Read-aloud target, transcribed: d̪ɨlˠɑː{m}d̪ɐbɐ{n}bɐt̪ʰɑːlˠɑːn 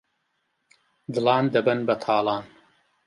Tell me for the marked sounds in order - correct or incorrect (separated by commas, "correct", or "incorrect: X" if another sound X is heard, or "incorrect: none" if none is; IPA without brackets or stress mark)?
incorrect: n, correct